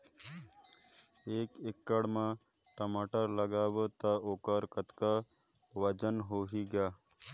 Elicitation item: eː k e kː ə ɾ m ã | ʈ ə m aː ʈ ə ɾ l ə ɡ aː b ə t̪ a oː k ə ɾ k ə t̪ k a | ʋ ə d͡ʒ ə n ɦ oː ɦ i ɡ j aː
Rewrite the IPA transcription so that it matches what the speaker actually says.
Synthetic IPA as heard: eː k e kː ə ɽ m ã | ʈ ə m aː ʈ ə ɾ l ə ɡ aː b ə t̪ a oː k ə ɾ k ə t̪ k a | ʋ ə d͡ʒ ə n ɦ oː ɦ i ɡ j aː